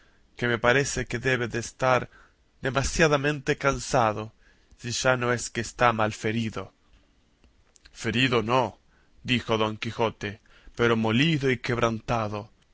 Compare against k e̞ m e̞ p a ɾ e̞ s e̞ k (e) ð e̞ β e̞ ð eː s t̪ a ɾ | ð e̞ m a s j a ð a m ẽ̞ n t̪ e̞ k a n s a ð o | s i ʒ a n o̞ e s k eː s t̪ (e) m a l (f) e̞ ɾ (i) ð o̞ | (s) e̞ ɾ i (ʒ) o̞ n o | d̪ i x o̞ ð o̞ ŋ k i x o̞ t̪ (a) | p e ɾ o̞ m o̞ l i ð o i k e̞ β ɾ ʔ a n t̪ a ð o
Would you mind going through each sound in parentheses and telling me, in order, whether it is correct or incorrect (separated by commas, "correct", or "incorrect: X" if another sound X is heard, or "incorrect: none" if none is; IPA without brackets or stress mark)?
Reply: correct, incorrect: a, correct, correct, incorrect: f, incorrect: ð, incorrect: e